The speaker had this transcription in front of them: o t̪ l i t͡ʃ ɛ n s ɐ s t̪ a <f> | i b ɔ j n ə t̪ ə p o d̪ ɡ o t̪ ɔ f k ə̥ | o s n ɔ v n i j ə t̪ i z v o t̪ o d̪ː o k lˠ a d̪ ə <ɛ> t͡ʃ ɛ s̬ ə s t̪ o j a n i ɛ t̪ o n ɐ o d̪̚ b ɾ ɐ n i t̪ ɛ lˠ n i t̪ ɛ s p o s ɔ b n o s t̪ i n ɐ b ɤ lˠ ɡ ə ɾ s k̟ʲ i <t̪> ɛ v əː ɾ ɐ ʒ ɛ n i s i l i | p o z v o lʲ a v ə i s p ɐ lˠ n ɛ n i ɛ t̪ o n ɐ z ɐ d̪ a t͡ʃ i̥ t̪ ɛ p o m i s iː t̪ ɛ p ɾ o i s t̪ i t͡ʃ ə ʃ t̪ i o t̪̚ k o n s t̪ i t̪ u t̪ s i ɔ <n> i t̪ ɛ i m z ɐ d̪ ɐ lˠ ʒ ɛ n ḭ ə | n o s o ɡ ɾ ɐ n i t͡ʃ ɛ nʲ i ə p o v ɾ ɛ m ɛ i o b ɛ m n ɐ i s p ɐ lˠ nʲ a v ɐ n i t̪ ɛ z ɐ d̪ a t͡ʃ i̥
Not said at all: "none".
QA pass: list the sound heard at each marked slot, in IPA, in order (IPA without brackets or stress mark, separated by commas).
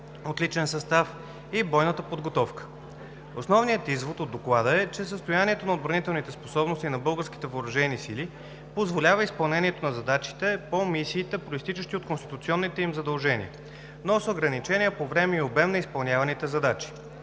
f, ɛ, t̪, nː